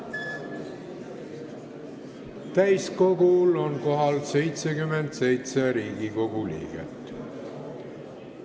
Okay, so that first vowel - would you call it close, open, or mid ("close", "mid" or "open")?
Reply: open